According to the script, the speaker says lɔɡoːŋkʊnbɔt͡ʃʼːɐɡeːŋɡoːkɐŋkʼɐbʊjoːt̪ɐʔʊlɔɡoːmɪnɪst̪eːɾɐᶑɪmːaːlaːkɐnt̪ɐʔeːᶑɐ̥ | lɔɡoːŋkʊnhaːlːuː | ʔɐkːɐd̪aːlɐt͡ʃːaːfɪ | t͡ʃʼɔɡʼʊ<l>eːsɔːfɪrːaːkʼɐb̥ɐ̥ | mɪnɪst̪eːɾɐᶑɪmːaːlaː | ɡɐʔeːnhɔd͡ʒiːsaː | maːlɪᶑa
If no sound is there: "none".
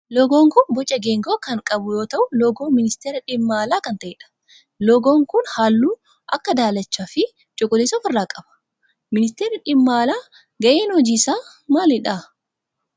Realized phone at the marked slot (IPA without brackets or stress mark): l